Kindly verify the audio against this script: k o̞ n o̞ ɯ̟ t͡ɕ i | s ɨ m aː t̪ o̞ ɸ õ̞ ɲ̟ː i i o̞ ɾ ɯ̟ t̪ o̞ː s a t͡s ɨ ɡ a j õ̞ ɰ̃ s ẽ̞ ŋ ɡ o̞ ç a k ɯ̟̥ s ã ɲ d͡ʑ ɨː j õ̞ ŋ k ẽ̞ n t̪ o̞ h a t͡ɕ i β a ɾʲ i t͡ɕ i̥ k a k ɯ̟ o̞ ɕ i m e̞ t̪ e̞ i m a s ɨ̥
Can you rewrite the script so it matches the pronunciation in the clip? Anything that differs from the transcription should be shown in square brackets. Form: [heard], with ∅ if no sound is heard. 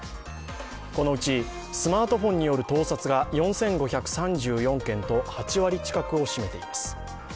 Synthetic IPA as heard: k o̞ n o̞ ɯ̟ t͡ɕ i | s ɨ m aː t̪ o̞ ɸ õ̞ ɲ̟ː i [j] o̞ ɾ ɯ̟ t̪ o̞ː s a t͡s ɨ ɡ a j õ̞ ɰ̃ s ẽ̞ ŋ ɡ o̞ ç a k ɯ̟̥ s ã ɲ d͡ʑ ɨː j õ̞ ŋ k ẽ̞ n t̪ o̞ h a t͡ɕ i β a ɾʲ i t͡ɕ i̥ k a k ɯ̟ o̞ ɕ i m e̞ t̪ e̞ i m a s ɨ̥